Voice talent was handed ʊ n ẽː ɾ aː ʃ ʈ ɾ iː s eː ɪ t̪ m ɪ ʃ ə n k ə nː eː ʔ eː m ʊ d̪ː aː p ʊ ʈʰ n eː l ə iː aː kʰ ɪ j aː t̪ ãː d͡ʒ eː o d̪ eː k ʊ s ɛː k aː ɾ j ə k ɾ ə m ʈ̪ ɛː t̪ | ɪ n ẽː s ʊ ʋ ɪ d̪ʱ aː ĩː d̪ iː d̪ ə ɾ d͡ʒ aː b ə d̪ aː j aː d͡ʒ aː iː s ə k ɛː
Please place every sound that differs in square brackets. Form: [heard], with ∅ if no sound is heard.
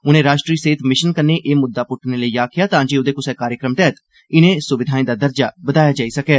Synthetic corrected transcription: ʊ n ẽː ɾ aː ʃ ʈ ɾ iː s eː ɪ t̪ m ɪ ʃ ə n k ə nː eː ʔ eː m ʊ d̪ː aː p ʊ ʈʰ n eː l ə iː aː kʰ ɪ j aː t̪ ãː d͡ʒ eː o d̪ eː k ʊ s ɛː k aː ɾ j ə k ɾ ə m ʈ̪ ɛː t̪ | ɪ n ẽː s ʊ ʋ ɪ d̪ʱ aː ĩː d̪ [aː] d̪ ə ɾ d͡ʒ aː b ə d̪ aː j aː d͡ʒ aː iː s ə k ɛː